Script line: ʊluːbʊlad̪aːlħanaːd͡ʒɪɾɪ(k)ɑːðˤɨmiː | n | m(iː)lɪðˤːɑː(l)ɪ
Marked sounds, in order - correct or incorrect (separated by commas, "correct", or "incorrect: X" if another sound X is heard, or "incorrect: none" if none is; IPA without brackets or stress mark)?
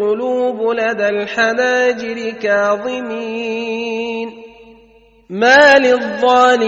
correct, incorrect: aː, correct